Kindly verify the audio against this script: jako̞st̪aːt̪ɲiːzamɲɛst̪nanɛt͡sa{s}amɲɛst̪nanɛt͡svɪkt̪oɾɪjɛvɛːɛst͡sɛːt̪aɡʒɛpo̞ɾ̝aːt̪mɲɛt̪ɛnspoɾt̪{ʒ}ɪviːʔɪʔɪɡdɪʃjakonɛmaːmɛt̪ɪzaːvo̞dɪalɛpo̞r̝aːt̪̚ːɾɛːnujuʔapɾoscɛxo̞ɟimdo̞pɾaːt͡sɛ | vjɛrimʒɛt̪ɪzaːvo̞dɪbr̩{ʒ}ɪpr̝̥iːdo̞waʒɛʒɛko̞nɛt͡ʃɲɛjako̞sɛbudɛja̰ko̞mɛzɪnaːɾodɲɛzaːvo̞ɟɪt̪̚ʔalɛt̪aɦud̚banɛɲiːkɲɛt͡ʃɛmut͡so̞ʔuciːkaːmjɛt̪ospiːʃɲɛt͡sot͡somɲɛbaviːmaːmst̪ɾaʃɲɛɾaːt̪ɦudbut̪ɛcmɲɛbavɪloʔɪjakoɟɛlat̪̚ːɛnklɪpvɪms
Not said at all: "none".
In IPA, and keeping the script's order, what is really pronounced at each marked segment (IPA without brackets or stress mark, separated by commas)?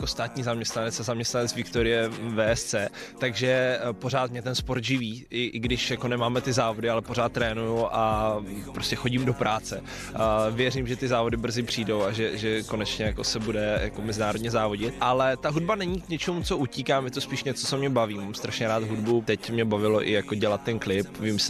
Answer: z, ʒ, z